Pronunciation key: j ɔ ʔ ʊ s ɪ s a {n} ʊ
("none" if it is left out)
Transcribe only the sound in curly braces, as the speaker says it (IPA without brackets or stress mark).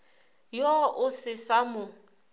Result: m